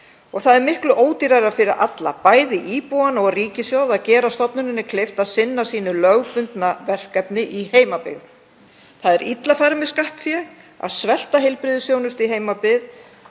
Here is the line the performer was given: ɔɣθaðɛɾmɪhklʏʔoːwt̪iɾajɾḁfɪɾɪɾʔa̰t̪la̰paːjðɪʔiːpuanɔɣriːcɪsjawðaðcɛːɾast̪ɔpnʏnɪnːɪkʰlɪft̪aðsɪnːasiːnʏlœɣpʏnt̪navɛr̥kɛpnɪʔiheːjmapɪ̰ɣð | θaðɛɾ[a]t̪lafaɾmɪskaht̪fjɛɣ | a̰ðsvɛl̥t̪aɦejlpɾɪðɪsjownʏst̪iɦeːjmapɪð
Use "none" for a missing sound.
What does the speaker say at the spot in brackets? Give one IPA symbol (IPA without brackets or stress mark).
i